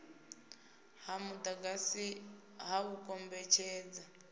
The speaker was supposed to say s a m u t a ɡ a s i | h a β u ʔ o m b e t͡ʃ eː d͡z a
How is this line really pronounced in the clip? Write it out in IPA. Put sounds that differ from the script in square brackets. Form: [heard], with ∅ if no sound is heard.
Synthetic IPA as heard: [h] a m u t a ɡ a s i | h a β u [k] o m b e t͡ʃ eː d͡z a